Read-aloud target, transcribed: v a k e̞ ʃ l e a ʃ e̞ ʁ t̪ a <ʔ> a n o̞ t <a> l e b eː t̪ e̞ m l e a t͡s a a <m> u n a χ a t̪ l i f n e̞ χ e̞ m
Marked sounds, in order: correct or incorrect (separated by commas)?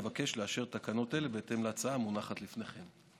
incorrect, incorrect, correct